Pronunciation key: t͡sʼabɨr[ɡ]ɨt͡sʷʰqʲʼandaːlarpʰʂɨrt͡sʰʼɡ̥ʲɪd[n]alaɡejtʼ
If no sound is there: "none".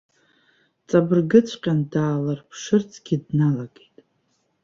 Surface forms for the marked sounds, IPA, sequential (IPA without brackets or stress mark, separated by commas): ɡ, n